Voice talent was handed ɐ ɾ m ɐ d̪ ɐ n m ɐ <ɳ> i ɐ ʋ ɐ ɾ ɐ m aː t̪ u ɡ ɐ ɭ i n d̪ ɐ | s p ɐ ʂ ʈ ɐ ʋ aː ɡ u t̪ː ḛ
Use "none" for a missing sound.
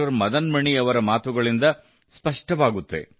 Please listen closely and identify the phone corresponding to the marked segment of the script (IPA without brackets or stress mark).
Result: ɳ